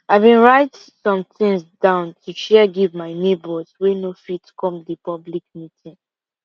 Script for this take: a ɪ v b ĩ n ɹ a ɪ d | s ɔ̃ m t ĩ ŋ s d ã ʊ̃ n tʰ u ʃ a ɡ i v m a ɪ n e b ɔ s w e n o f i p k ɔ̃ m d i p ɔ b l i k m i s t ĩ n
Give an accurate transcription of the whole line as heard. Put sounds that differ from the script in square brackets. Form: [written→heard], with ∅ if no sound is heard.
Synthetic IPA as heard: a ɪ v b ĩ n ɹ a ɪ [d→t] | s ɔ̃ m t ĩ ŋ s d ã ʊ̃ n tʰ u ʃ [a→ɛ] ɡ i v m a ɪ n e b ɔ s w e n o f i [p→t] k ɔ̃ m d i p ɔ b l i k m i [s→∅] t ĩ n